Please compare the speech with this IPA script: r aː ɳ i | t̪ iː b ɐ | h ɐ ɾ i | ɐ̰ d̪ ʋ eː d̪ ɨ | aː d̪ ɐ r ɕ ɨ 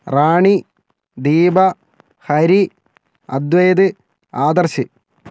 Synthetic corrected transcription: r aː ɳ i | d̪ iː b ɐ | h ɐ ɾ i | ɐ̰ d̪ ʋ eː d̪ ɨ | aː d̪ ɐ r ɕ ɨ

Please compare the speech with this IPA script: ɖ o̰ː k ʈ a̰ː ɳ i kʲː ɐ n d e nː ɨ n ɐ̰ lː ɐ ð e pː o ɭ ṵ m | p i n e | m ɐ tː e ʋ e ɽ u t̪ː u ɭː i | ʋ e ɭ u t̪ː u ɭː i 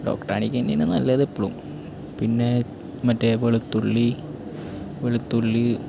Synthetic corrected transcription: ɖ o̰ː k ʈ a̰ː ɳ i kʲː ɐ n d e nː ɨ n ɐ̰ lː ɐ ð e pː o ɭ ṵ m | p i nː e | m ɐ tː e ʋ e ɭ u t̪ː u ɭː i | ʋ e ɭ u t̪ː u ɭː i

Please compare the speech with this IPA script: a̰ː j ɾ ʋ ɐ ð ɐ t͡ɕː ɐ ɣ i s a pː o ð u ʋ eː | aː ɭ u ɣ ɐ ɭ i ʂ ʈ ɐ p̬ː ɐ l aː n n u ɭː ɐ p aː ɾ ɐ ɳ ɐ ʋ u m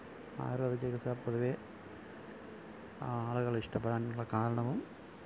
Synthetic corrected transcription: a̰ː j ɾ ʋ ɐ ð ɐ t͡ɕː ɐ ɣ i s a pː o ð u ʋ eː | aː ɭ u ɣ ɐ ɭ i ʂ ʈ ɐ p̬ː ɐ ɽ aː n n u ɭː ɐ k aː ɾ ɐ ɳ ɐ ʋ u m

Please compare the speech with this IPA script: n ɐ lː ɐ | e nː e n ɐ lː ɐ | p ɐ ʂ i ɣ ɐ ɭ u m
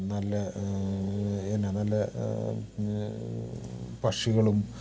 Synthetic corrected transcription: n ɐ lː ɐ | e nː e n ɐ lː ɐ | p ɐ ʂ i ɣ ɐ ɭ u m

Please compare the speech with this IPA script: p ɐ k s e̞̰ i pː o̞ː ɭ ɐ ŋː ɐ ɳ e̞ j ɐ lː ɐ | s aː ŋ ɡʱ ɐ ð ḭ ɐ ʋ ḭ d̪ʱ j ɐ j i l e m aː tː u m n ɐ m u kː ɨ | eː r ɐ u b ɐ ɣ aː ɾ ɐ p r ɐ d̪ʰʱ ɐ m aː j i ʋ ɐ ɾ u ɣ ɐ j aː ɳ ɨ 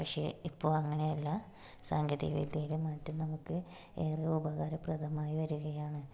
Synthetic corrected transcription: p ɐ k ʂ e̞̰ i pː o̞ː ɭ ɐ ŋː ɐ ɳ e̞ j ɐ lː ɐ | s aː ŋ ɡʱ ɐ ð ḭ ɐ ʋ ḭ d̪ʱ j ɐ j i l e m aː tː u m n ɐ m u kː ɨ | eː r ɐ u b ɐ ɣ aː ɾ ɐ p r ɐ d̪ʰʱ ɐ m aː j i ʋ ɐ ɾ u ɣ ɐ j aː ɳ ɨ

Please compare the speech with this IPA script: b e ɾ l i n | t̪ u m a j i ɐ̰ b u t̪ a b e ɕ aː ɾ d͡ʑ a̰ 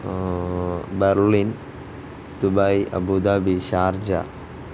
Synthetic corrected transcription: b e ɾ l i n | t̪ u b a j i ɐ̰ b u d̪ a b i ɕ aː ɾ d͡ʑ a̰

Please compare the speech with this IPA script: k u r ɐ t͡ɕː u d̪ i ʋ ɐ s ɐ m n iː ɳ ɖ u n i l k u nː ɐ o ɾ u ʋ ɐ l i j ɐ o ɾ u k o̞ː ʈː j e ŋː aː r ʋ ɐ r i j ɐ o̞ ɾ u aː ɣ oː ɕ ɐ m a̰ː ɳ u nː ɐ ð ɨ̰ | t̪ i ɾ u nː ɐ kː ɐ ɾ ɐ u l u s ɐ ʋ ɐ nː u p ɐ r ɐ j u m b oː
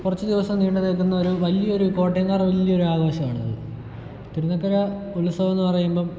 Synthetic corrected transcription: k u r ɐ t͡ɕː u d̪ i ʋ ɐ s ɐ m n iː ɳ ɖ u n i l k u nː ɐ o ɾ u ʋ ɐ l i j ɐ o ɾ u k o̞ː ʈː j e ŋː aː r ʋ ɐ l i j ɐ o̞ ɾ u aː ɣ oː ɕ ɐ m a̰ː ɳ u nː ɐ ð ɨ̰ | t̪ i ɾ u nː ɐ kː ɐ ɾ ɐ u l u s ɐ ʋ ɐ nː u p ɐ r ɐ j u m b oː

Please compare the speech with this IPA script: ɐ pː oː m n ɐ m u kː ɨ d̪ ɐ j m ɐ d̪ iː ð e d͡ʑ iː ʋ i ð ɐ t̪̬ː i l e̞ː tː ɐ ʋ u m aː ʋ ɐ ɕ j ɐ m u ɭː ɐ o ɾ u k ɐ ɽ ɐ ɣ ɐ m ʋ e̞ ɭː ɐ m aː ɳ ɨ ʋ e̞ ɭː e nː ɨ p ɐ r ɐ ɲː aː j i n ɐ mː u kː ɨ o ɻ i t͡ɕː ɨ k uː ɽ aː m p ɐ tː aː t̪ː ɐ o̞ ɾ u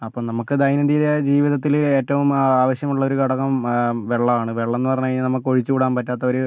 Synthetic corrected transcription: ɐ pː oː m n ɐ m u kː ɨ d̪ ɐ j n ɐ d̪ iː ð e d͡ʑ iː ʋ i ð ɐ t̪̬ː i l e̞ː tː ɐ ʋ u m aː ʋ ɐ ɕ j ɐ m u ɭː ɐ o ɾ u k ɐ ɽ ɐ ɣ ɐ m ʋ e̞ ɭː ɐ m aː ɳ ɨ ʋ e̞ ɭː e nː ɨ p ɐ r ɐ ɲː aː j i n ɐ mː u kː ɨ o ɻ i t͡ɕː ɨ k uː ɽ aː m p ɐ tː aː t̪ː ɐ o̞ ɾ u

